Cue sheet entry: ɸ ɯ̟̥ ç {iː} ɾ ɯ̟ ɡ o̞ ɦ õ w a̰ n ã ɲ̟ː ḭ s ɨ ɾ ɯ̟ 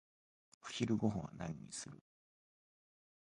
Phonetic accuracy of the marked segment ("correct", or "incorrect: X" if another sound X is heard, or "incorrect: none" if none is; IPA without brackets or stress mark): incorrect: i